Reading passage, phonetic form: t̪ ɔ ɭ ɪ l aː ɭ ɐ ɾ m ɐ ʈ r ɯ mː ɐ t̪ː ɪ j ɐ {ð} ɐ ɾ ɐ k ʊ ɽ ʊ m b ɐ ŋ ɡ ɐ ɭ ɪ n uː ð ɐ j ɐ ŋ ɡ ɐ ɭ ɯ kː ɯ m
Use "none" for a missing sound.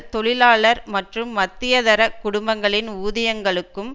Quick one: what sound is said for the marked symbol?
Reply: ð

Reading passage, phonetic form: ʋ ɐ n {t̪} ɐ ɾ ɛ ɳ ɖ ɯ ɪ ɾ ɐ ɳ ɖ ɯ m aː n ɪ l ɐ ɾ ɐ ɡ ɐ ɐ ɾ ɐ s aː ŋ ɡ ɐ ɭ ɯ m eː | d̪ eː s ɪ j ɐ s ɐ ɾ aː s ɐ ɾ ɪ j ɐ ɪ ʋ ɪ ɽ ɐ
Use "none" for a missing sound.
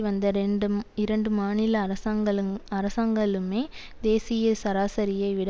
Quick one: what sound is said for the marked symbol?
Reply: d̪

